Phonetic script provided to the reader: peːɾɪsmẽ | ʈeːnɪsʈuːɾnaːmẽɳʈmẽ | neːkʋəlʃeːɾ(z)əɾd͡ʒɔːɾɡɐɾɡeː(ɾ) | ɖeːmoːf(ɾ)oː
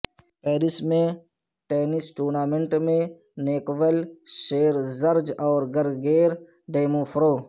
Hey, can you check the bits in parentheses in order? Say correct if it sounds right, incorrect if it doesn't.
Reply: correct, correct, correct

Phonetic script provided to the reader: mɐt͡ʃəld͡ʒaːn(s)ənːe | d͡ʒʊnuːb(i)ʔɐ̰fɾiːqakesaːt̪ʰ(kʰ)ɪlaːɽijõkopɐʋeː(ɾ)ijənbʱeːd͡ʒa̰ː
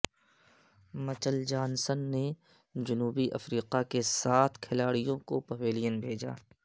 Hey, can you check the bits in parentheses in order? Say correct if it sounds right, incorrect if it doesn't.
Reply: correct, correct, correct, incorrect: l

